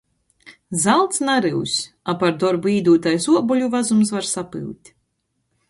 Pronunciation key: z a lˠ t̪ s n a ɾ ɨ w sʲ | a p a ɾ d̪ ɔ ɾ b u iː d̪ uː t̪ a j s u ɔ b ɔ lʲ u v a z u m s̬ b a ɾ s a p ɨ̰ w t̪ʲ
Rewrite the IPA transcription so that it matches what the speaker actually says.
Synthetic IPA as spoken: z a lˠ t̪ s n a ɾ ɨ w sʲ | a p a ɾ d̪ ɔ ɾ b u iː d̪ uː t̪ a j s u ɔ b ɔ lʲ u v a z u m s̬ v a ɾ s a p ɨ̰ w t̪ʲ